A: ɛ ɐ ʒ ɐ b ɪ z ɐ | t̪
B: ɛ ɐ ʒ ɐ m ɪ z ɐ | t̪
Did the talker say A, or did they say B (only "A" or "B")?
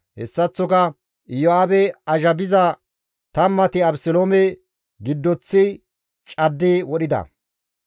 A